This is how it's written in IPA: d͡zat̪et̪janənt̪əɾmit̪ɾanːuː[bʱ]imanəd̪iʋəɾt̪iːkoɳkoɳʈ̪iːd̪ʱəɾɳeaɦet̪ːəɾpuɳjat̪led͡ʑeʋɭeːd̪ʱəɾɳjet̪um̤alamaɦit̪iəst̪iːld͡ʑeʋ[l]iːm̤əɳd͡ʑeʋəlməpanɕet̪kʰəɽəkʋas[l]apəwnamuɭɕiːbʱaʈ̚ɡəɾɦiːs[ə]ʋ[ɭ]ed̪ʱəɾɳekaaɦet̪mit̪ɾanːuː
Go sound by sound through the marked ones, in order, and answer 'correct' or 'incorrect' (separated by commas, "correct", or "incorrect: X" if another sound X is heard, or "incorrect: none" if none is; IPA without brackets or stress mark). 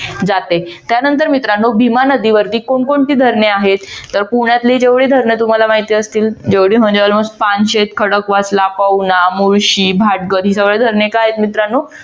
correct, incorrect: ɽ, correct, correct, correct